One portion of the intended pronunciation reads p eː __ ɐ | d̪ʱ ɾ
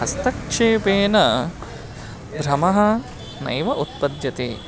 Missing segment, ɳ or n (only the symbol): n